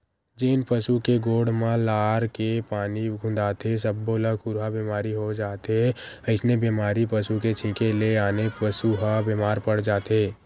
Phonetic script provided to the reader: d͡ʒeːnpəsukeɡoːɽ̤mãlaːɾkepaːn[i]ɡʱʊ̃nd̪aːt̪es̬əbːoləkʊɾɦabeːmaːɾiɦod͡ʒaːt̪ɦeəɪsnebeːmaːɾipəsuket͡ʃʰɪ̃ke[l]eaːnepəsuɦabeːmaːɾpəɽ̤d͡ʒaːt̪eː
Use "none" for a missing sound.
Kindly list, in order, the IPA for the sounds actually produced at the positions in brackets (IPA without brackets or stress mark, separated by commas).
i, l